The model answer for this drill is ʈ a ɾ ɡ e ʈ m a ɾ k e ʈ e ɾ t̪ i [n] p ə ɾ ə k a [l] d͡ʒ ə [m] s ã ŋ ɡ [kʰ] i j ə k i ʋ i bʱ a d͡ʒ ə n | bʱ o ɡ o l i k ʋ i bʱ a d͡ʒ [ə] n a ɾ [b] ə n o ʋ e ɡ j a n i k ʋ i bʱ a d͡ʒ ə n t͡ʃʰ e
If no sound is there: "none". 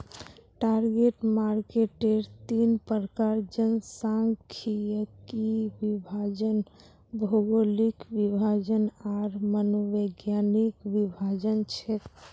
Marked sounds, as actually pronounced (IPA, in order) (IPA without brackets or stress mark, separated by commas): n, ɾ, n, kʰ, ə, m